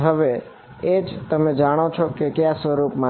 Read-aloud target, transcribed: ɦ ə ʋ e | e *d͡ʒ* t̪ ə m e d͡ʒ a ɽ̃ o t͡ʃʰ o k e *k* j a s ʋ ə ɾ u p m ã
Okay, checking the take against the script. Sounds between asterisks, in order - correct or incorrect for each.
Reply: correct, correct

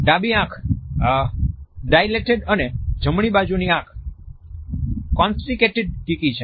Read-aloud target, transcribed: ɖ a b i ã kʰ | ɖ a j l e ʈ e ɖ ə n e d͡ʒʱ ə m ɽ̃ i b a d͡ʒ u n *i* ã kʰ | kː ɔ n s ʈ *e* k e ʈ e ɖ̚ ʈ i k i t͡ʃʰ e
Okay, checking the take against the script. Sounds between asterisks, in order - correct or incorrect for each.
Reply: correct, incorrect: i

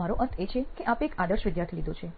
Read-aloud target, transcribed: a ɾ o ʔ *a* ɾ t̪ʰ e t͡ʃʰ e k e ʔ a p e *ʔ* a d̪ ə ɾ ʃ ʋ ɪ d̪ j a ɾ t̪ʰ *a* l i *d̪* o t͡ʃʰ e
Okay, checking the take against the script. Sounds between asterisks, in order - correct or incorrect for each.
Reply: incorrect: ə, incorrect: k, incorrect: i, correct

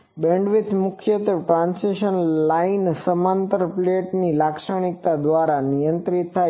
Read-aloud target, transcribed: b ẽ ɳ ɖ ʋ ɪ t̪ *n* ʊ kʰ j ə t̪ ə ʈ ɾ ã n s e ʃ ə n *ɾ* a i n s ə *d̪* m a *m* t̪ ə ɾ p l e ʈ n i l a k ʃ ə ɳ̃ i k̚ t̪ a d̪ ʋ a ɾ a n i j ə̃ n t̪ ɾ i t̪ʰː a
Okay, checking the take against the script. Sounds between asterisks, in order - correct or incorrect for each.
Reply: incorrect: m, incorrect: l, incorrect: none, incorrect: n

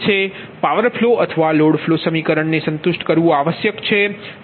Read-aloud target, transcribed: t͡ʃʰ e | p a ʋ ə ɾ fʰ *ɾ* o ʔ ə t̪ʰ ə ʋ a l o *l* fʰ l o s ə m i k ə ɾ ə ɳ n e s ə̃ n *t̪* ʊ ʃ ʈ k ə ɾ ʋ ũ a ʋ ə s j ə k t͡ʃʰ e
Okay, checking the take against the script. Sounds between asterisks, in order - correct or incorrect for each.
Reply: incorrect: l, incorrect: ɽ, correct

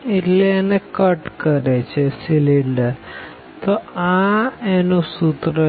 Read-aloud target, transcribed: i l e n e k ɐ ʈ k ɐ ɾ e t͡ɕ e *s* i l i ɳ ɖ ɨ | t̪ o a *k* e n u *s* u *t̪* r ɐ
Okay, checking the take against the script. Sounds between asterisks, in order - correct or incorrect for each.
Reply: correct, incorrect: none, correct, correct

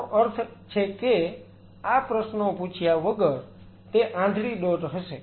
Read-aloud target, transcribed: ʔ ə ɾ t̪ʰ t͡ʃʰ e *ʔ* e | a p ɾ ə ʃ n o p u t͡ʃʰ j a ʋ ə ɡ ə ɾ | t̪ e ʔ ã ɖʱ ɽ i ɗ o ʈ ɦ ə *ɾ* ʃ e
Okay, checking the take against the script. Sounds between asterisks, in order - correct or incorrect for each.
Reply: incorrect: k, incorrect: none

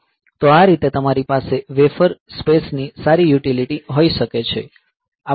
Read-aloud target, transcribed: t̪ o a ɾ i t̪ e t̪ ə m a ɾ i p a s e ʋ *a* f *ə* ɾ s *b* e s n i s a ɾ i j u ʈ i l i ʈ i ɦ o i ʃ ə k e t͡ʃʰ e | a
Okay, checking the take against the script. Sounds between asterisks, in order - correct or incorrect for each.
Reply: incorrect: e, correct, incorrect: p

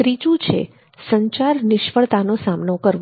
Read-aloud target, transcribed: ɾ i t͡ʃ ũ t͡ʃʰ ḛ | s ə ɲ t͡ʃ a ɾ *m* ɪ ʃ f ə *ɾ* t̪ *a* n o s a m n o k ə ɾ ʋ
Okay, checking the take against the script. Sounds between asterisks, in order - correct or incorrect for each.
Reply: incorrect: n, incorrect: ɭ, correct

